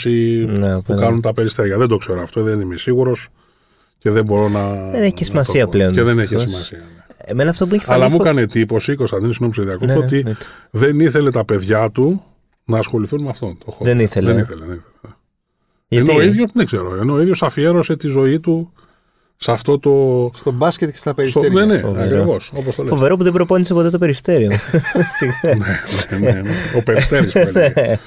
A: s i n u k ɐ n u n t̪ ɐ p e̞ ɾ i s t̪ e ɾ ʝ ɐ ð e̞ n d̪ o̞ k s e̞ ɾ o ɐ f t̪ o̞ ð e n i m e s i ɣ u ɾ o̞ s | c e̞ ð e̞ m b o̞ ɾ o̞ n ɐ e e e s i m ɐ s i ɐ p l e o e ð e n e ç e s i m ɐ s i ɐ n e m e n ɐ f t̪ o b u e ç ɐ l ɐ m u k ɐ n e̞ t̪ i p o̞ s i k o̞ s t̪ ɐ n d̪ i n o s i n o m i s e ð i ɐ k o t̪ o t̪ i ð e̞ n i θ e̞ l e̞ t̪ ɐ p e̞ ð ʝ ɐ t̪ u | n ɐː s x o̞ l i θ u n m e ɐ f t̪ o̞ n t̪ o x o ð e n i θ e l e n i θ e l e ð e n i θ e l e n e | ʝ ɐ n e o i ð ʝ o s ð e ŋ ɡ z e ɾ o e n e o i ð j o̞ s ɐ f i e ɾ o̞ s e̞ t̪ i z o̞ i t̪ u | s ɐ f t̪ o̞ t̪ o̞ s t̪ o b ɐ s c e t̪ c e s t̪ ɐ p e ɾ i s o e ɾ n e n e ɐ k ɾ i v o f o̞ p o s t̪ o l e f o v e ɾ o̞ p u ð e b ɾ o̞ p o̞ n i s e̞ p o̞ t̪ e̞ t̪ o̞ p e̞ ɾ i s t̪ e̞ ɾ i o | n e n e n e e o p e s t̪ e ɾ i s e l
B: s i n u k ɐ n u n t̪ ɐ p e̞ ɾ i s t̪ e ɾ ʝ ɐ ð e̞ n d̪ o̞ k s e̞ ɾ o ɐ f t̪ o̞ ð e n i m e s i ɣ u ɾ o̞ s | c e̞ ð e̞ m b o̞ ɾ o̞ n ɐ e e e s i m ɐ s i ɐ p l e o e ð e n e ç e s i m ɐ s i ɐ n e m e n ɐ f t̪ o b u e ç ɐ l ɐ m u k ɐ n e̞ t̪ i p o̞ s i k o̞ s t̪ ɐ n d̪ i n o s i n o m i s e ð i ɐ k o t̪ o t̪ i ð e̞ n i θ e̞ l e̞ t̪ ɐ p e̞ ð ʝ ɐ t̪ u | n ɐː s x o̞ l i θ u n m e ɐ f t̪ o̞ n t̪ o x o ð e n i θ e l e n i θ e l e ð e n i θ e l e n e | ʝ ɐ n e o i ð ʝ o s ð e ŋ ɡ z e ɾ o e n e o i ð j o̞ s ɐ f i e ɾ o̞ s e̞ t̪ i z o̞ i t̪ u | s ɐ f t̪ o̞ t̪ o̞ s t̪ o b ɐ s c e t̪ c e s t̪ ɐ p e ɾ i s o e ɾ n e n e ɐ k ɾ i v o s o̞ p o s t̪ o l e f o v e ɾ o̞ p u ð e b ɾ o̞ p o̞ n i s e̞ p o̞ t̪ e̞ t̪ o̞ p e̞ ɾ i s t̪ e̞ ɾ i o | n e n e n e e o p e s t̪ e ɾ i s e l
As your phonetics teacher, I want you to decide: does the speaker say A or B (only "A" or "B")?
B